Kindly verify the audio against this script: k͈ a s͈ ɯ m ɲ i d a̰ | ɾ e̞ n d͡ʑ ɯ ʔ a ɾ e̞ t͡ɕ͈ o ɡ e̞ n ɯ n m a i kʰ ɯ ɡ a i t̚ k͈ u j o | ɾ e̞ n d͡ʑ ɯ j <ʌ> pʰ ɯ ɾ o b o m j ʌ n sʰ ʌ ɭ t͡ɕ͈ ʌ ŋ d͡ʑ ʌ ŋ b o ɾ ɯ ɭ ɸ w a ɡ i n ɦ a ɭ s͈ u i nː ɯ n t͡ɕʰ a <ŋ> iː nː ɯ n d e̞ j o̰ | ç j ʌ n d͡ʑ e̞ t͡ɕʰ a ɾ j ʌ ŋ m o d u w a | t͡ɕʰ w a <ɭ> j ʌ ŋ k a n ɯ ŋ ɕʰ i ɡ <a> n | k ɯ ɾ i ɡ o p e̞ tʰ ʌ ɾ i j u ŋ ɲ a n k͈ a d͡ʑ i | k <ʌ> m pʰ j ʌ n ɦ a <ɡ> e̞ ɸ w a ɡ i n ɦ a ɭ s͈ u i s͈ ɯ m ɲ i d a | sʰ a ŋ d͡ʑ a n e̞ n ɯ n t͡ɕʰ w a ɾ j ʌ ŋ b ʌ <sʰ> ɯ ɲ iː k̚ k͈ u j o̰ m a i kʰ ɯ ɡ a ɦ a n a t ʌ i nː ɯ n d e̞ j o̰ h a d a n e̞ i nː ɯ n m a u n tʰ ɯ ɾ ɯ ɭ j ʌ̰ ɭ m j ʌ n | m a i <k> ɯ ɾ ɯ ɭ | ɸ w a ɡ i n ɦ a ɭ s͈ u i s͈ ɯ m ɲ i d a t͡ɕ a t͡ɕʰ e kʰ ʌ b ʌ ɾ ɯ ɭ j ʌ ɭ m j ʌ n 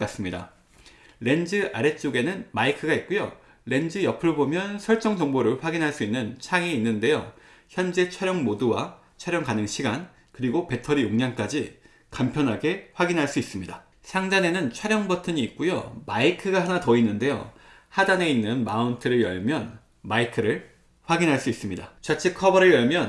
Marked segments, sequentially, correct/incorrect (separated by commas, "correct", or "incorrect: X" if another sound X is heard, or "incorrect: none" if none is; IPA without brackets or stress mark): correct, correct, incorrect: ɾ, correct, incorrect: a, correct, incorrect: tʰ, incorrect: kʰ